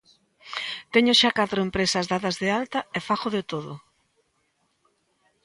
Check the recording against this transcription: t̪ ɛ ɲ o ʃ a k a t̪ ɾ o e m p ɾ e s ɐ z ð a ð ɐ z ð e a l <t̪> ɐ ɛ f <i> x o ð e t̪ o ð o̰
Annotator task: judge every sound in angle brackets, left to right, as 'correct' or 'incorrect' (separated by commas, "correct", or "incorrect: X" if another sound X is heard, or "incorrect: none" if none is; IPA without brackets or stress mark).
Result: correct, incorrect: a